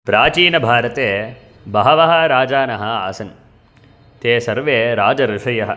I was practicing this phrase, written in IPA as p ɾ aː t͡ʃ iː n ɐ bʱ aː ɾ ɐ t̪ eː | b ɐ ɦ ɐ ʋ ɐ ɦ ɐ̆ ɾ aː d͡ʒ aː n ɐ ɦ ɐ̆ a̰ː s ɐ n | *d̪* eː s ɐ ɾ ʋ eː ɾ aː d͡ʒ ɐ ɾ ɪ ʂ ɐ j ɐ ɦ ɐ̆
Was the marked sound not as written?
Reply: yes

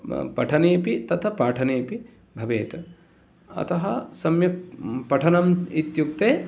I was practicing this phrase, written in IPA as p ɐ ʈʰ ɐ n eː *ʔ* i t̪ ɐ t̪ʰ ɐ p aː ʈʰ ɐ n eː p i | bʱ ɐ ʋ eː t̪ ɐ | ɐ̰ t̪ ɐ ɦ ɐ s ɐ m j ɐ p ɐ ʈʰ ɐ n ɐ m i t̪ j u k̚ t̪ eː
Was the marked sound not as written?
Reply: yes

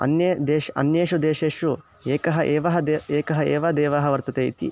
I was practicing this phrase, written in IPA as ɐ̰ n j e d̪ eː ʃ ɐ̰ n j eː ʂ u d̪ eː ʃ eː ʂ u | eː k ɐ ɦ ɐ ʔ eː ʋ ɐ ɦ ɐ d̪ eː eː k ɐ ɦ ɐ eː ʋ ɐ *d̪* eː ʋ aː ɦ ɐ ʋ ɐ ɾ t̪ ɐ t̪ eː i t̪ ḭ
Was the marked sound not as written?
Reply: no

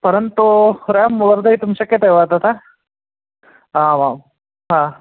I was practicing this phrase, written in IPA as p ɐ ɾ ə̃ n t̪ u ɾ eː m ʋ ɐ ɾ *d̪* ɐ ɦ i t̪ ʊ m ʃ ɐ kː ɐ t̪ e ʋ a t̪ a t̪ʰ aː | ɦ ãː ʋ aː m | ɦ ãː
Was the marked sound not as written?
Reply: no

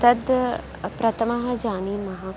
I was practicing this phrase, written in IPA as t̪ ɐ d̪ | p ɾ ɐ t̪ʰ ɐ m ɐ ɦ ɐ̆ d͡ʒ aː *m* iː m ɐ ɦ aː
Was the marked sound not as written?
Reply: yes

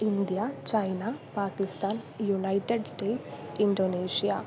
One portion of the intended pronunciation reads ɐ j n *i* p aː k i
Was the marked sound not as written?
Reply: yes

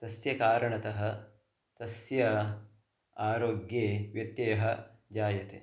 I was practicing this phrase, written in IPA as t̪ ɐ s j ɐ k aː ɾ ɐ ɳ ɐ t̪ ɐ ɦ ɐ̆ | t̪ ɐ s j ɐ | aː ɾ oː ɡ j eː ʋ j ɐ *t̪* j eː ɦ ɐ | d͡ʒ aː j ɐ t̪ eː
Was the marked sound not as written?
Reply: no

